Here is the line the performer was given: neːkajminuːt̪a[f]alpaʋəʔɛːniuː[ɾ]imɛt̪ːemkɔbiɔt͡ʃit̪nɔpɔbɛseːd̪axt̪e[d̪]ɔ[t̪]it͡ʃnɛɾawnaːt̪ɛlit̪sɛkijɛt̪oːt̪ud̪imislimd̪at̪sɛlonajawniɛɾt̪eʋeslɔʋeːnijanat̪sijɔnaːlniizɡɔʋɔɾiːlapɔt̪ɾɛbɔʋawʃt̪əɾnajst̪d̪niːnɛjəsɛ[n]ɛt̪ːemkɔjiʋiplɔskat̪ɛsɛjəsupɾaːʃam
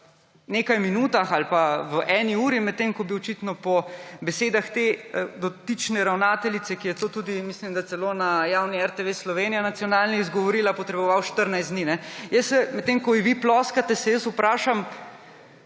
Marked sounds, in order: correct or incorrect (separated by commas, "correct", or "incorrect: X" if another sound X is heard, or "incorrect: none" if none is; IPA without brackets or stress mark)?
incorrect: x, correct, correct, correct, incorrect: m